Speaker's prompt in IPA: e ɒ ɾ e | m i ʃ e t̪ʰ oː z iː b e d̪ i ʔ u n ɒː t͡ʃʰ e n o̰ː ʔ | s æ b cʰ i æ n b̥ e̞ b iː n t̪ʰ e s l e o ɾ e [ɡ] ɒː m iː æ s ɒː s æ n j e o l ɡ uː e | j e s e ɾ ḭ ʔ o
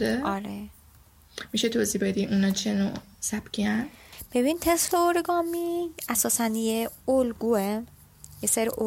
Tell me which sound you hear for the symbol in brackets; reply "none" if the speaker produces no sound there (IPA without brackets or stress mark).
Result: ɡ